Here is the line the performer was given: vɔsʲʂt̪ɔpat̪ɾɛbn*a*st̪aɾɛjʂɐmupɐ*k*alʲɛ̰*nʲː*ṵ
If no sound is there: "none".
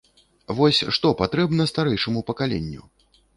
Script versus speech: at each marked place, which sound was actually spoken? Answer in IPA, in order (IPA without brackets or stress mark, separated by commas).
ɐ, k, nʲː